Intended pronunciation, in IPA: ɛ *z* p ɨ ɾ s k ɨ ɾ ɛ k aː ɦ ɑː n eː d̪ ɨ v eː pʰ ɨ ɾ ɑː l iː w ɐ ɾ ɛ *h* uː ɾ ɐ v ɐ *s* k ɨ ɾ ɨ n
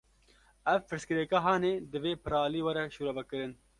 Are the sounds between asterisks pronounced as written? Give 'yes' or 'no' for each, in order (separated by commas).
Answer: no, no, no